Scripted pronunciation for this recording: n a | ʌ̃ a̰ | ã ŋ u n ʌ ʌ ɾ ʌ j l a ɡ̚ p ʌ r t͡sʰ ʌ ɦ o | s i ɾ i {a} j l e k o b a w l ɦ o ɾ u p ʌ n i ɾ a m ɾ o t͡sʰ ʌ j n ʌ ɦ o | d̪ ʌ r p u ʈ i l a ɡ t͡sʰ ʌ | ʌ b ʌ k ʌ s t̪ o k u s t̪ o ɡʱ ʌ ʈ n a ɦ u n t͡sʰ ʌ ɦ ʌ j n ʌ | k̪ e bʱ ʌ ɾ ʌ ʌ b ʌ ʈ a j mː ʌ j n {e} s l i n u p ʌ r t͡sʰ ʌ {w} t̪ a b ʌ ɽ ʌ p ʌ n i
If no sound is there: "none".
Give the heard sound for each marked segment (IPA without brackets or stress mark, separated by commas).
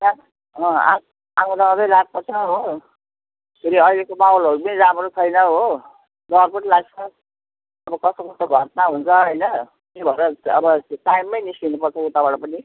ʌ, i, u